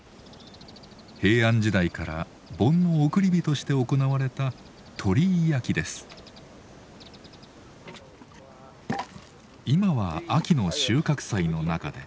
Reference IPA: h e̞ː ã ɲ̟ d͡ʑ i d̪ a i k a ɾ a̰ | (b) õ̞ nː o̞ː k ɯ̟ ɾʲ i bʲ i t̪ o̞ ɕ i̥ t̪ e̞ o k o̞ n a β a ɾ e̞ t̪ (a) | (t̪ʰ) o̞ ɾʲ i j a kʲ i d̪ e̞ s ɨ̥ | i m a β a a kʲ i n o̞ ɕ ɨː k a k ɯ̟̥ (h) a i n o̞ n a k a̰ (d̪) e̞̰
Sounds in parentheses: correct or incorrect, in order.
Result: correct, correct, correct, incorrect: s, correct

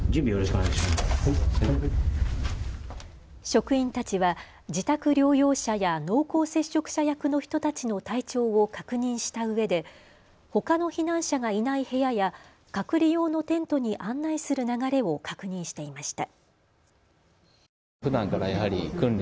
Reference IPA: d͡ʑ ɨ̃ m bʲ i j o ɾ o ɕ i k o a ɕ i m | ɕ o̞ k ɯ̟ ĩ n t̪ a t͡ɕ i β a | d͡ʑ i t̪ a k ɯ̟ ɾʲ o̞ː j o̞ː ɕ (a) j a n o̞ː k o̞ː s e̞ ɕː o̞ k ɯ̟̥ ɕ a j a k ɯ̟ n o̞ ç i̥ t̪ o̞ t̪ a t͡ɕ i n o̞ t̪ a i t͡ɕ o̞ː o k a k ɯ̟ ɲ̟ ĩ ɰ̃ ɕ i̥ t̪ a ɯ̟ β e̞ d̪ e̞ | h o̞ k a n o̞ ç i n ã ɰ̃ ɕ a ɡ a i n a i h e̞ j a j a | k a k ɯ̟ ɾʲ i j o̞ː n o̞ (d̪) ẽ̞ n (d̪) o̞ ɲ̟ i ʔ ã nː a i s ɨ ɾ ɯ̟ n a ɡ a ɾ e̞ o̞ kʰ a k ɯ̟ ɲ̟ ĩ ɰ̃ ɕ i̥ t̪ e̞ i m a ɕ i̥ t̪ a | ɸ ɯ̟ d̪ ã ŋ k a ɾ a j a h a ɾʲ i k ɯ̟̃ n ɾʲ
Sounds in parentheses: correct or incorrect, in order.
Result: correct, incorrect: t̪, incorrect: t̪

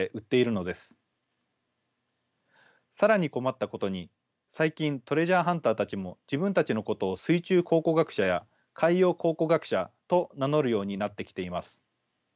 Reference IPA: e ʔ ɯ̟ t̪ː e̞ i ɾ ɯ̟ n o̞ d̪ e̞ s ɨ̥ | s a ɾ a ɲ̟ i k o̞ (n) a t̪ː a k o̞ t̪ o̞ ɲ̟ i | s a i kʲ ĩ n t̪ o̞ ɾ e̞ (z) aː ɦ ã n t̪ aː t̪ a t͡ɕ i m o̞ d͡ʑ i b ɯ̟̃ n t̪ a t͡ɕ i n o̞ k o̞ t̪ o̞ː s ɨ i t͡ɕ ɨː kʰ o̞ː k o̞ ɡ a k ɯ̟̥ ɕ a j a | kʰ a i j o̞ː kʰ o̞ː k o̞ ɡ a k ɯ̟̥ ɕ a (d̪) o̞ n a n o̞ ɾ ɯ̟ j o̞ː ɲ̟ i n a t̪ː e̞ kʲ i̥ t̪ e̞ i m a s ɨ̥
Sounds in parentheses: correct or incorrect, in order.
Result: incorrect: m, incorrect: ʑ, incorrect: t̪

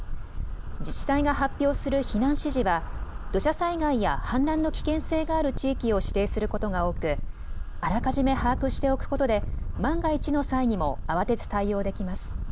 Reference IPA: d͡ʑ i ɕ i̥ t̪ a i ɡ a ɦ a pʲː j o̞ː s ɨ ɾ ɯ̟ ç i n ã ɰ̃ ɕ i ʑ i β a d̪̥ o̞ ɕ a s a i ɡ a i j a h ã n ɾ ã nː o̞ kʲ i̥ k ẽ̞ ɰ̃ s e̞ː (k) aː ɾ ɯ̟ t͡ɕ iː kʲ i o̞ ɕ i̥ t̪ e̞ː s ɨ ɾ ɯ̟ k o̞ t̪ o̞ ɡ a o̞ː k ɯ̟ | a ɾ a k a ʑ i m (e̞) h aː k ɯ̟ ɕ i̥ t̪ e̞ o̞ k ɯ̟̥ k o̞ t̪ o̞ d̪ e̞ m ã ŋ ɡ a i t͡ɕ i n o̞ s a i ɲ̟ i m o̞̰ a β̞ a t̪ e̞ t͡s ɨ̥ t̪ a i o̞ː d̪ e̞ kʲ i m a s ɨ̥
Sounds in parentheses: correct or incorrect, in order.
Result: incorrect: ɡ, correct

